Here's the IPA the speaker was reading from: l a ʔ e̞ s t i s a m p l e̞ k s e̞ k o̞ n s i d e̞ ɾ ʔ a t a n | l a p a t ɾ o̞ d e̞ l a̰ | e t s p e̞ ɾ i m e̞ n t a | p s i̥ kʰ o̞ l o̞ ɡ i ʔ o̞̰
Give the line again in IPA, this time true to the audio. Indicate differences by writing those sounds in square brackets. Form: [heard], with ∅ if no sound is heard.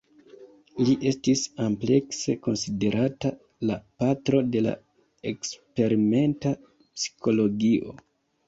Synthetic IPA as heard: l [i] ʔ e̞ s t i s a m p l e̞ k s e̞ k o̞ n s i d e̞ ɾ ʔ a t a [∅] | l a p a t ɾ o̞ d e̞ l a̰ | e [k] s p e̞ ɾ i m e̞ n t a | p s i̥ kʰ o̞ l o̞ ɡ i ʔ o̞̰